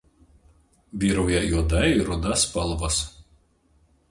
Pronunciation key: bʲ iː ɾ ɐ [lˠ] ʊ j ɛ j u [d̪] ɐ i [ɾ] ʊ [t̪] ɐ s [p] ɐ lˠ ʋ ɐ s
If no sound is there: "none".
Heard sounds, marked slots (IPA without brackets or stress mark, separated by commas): none, d̪, ɾ, d̪, p